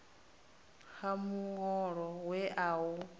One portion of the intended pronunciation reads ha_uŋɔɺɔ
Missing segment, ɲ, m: m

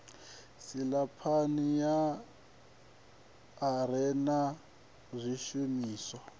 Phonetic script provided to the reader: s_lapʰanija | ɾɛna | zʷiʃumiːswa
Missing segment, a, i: i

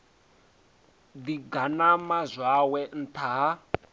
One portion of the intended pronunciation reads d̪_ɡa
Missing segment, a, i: i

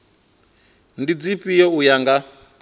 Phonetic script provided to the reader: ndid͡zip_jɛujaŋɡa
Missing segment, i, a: i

